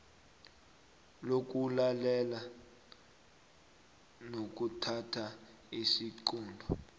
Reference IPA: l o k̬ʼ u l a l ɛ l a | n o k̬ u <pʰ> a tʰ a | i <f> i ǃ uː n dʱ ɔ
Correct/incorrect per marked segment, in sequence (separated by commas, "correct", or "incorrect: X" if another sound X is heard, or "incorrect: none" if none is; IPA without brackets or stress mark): incorrect: tʰ, incorrect: s